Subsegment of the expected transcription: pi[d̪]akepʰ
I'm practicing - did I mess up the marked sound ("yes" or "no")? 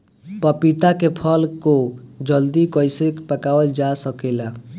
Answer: yes